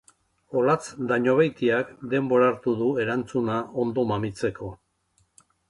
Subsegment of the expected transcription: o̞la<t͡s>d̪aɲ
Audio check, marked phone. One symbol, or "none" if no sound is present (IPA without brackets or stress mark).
t͡s